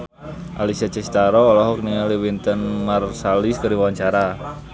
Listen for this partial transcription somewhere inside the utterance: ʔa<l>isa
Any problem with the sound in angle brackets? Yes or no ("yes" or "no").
no